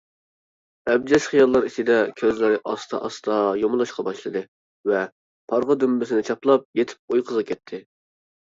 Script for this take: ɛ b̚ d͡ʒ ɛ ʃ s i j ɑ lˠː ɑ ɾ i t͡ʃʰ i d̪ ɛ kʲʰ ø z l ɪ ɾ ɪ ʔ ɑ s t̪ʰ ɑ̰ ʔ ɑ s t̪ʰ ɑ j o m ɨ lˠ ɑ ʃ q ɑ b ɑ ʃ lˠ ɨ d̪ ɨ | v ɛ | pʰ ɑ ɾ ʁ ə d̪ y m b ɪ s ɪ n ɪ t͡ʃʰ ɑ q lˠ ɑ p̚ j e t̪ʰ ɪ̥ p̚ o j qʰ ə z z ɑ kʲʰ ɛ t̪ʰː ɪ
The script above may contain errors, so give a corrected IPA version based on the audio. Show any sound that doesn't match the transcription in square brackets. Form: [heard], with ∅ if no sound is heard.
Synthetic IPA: ɛ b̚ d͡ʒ ɛ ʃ [χ] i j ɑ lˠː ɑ ɾ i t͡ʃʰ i d̪ ɛ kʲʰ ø z l ɪ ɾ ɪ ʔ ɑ s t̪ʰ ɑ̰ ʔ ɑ s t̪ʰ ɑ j o m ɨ lˠ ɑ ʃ q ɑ b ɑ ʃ lˠ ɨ d̪ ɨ | v ɛ | pʰ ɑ ɾ ʁ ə d̪ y m b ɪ s ɪ n ɪ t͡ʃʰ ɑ [p] lˠ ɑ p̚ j e t̪ʰ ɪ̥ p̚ o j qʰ ə z [ʁ] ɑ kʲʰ ɛ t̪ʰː ɪ